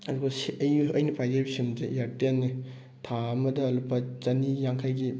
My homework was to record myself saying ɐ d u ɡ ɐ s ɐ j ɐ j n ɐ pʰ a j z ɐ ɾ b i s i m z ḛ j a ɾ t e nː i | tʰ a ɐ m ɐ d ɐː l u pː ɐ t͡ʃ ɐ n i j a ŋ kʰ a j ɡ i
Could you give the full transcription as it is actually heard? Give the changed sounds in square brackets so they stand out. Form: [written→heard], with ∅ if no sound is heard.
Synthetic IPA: ɐ d u ɡ ɐ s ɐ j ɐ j n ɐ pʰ a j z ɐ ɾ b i s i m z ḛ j a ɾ t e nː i | tʰ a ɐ m ɐ d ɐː l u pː ɐ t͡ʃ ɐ n i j a ŋ kʰ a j ɡ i